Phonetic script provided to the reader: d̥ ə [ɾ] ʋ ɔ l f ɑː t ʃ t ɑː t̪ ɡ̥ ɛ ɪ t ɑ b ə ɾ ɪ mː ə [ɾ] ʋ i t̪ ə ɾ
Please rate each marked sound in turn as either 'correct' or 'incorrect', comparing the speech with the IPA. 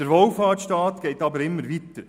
correct, correct

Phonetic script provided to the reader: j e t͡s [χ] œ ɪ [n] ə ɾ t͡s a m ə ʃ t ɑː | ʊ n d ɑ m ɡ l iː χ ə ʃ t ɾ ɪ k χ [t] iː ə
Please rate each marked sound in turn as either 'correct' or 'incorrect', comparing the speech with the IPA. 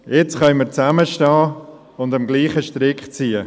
correct, incorrect, incorrect

